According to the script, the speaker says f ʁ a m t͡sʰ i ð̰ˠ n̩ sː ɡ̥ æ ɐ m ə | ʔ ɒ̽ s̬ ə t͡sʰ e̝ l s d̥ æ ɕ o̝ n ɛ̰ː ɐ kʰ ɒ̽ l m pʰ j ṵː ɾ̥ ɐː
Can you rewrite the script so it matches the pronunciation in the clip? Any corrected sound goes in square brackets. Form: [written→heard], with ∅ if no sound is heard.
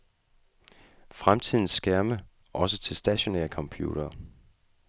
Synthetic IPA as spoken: f ʁ a m t͡sʰ i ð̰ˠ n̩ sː ɡ̥ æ ɐ m ə | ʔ ɒ̽ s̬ ə t͡sʰ e̝ l s d̥ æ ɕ o̝ n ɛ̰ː ɐ kʰ ɒ̽ [l→∅] m pʰ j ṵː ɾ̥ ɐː